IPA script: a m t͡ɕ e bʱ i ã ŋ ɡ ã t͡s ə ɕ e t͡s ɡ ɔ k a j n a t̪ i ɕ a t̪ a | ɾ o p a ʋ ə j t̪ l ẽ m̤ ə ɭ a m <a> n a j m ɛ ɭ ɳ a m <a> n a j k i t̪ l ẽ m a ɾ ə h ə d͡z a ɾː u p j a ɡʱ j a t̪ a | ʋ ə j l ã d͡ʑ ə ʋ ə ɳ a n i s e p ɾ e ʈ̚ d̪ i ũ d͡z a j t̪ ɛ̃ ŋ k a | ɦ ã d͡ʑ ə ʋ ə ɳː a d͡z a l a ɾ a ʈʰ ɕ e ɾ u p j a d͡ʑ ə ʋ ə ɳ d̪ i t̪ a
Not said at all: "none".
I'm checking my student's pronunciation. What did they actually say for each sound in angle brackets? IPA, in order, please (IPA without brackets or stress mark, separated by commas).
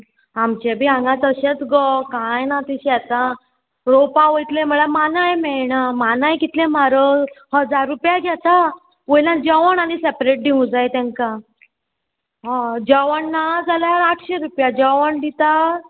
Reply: a, a